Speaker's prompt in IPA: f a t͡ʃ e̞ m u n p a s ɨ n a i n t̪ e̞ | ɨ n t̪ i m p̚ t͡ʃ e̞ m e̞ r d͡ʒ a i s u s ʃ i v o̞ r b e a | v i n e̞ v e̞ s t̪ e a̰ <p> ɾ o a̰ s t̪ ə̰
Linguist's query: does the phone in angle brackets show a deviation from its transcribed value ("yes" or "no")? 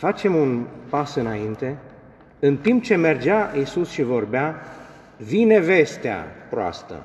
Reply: no